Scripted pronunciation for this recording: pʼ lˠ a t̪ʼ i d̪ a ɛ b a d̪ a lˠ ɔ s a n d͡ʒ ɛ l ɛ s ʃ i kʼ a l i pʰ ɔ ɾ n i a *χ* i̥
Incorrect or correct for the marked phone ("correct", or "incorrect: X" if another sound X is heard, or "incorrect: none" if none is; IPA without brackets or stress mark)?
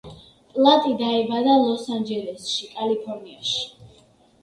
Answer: incorrect: ʃ